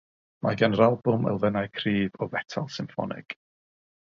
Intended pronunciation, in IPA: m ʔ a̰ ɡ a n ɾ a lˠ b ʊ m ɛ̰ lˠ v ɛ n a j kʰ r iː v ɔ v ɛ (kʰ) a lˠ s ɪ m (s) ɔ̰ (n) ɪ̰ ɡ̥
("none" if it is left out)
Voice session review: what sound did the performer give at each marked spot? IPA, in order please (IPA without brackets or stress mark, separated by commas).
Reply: tʰ, f, n